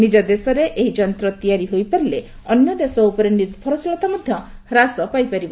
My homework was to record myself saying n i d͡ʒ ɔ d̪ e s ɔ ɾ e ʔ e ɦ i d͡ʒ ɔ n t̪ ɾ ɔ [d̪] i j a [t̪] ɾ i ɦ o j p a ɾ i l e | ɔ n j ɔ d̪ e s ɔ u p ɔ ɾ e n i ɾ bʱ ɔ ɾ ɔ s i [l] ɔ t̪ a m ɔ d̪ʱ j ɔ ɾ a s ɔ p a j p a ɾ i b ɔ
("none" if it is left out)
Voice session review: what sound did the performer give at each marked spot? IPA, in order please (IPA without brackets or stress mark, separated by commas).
t̪, none, l